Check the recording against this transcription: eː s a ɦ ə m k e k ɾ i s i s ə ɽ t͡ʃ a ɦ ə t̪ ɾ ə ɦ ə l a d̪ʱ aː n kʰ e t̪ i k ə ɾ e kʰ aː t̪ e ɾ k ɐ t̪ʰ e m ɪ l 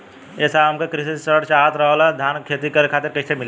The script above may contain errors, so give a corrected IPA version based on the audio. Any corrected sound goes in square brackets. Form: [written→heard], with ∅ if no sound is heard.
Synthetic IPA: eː s a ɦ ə m k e k ɾ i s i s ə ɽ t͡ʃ a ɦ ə t̪ ɾ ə ɦ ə l a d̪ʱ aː n kʰ e t̪ i k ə ɾ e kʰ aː t̪ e ɾ k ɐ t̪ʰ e m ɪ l